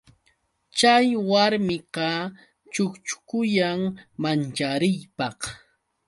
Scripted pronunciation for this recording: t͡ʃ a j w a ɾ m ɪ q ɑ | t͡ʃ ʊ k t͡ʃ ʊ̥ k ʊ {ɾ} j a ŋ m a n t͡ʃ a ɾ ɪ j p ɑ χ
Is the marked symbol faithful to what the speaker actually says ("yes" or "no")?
no